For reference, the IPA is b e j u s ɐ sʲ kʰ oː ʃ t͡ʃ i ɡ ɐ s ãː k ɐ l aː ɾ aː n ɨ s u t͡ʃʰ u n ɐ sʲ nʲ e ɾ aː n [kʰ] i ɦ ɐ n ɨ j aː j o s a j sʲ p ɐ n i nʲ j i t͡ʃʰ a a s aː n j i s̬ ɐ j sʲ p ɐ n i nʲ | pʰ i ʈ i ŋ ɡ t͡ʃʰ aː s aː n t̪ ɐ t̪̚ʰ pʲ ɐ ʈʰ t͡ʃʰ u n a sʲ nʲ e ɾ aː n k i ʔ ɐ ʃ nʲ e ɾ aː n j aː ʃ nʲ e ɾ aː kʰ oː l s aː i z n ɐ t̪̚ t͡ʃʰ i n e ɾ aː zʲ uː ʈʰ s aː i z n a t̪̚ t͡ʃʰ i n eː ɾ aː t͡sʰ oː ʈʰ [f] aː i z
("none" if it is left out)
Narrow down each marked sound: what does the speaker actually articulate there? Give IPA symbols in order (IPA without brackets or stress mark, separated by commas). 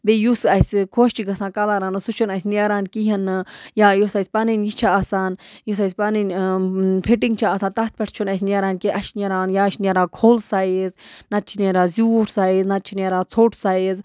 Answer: k, s